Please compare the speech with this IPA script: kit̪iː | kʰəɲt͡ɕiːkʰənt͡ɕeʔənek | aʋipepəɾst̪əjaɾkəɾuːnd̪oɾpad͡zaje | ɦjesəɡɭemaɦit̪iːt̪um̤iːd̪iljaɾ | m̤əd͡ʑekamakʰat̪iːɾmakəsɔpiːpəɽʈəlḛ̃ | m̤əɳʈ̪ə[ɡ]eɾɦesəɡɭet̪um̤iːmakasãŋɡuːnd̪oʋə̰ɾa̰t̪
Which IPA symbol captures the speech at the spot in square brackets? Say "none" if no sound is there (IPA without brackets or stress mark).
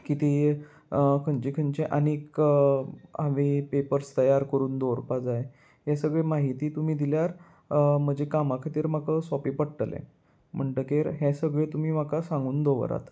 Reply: k